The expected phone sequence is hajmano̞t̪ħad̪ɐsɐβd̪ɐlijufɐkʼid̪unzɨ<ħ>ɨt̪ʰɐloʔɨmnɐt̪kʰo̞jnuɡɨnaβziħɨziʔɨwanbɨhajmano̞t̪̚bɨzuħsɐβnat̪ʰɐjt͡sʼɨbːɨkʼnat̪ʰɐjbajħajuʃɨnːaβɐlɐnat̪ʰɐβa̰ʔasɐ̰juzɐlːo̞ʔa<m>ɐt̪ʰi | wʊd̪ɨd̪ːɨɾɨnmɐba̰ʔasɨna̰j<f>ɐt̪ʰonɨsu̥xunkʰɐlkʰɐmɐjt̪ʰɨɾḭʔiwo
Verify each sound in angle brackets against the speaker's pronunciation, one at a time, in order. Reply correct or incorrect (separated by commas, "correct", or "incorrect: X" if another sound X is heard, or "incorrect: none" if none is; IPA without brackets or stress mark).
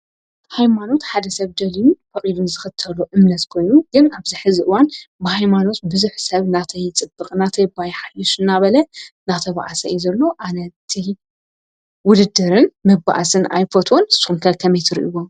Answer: incorrect: x, incorrect: n, correct